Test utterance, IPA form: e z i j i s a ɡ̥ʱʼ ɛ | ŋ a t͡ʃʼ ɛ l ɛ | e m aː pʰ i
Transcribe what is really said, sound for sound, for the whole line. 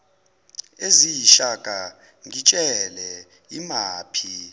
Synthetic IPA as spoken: e z i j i ʃ a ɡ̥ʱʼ a | ŋ i t͡ʃʼ ɛ l ɛ | i m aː pʰ i